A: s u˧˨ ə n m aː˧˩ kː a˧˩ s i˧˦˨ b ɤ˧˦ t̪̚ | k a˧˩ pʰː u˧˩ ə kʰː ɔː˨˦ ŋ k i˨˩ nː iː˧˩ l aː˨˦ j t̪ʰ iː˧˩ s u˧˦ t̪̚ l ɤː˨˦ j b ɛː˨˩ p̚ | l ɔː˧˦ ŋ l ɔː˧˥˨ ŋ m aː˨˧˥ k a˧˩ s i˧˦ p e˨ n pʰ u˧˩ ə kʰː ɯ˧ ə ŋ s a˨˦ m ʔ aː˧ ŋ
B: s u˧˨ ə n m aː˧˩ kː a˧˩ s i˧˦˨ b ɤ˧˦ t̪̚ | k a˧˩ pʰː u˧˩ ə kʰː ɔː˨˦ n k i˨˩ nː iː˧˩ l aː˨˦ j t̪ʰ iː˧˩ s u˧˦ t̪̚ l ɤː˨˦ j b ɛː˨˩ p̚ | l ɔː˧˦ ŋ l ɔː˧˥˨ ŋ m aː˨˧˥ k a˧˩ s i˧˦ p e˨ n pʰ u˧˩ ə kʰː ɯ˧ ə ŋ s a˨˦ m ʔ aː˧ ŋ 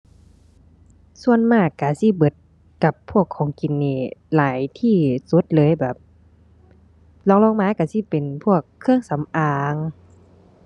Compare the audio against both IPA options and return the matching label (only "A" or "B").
A